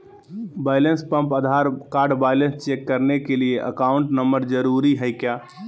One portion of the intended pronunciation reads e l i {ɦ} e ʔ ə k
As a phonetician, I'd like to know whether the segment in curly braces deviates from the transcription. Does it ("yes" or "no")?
yes